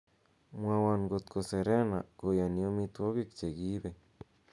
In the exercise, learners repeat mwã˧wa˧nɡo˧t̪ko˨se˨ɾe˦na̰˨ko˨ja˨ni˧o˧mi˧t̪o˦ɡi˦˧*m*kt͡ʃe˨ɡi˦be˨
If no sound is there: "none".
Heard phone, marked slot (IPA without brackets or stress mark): none